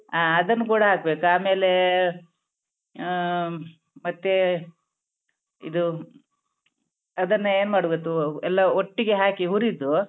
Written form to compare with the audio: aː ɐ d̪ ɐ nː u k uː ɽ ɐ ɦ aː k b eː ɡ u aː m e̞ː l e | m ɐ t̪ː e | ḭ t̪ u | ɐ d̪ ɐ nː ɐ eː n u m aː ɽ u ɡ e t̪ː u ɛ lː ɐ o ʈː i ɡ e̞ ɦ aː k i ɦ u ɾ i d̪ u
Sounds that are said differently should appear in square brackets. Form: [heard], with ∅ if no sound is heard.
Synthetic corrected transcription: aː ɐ d̪ ɐ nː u k uː ɽ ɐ ɦ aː k b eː [k] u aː m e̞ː l e | m ɐ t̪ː e | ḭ [d̪] u | ɐ d̪ ɐ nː ɐ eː n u m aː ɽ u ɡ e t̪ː u ɛ lː ɐ o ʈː i ɡ e̞ ɦ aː k i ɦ u ɾ i d̪ u